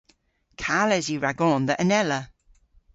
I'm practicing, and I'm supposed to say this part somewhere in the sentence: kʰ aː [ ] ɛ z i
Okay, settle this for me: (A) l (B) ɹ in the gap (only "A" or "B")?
A